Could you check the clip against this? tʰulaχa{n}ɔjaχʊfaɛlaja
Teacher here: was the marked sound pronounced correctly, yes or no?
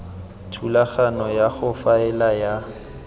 yes